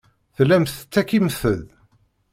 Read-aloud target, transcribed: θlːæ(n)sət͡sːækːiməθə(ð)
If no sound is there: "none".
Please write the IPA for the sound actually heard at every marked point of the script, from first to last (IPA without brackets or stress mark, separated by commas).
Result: m, ð